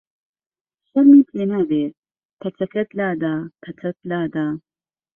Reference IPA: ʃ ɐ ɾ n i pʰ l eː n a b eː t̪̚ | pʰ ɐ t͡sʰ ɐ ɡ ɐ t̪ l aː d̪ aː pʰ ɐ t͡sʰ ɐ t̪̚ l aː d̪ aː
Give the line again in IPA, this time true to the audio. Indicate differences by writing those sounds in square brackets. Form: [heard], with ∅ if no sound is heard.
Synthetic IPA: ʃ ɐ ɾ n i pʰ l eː n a b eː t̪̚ | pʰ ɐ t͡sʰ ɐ [k] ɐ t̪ l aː d̪ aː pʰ ɐ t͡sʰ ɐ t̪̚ l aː d̪ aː